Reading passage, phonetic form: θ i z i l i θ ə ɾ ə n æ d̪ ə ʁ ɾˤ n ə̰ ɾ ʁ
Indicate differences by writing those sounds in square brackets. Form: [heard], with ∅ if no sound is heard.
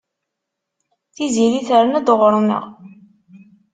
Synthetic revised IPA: θ i z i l i θ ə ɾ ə n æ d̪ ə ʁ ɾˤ n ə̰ [∅] ʁ